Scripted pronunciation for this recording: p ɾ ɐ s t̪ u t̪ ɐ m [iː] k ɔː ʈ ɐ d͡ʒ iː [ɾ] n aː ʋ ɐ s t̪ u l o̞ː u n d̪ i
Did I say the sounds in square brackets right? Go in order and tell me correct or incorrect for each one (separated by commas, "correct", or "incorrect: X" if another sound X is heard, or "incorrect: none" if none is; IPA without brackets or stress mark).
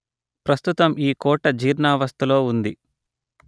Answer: correct, correct